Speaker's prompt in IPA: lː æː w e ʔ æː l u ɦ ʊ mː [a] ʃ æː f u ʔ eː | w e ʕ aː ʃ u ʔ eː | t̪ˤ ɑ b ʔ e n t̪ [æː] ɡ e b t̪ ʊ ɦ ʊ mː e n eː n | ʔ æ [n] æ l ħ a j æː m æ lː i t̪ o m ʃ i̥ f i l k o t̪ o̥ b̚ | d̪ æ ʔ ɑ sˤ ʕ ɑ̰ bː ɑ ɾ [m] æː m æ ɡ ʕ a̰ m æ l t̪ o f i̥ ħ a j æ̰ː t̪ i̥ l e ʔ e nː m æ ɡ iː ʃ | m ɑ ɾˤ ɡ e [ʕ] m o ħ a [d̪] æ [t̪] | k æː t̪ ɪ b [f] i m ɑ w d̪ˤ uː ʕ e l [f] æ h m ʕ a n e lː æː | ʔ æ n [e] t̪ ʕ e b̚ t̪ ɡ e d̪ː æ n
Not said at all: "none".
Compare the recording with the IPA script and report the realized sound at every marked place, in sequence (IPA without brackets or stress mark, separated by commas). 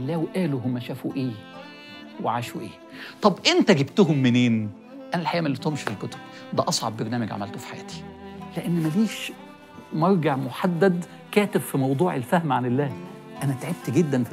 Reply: æ, æ, n, n, ʕ, d̪ː, d̪, f, f, æ